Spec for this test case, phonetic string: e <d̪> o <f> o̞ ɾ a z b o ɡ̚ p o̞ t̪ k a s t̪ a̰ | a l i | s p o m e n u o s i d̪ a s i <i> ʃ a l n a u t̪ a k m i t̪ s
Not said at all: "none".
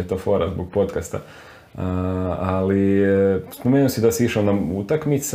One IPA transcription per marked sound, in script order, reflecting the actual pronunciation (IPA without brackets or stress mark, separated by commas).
t̪, f, i